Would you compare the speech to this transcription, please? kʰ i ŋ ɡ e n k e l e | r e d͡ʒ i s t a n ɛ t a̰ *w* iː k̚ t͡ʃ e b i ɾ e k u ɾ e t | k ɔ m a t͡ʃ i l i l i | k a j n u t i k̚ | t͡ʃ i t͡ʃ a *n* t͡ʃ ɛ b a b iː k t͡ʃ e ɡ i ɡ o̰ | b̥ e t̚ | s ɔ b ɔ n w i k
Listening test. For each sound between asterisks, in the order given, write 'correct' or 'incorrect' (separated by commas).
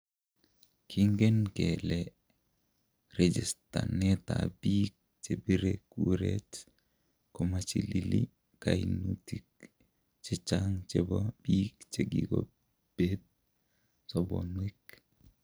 incorrect, incorrect